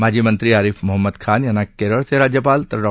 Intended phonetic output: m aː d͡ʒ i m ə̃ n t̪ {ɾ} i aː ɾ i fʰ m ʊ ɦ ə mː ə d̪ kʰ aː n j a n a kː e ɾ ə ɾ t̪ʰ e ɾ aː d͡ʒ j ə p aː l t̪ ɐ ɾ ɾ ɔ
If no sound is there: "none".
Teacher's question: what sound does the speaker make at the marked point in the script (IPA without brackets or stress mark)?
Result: ɾ